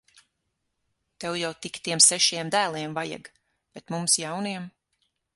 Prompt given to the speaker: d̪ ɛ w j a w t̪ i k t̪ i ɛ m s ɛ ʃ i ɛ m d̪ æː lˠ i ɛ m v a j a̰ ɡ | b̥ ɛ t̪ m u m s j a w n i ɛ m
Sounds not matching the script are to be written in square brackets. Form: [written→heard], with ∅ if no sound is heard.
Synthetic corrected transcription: [d̪→t̪] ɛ w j a w t̪ i k t̪ i ɛ m s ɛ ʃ i ɛ m d̪ æː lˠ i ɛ m v a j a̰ ɡ | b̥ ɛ t̪ m u m s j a w n i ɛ m